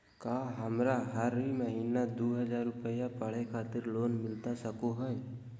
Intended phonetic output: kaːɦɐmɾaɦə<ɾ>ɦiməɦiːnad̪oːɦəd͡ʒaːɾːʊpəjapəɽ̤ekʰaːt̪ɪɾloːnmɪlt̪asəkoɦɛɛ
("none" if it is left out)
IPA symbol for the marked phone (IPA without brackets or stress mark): ɾ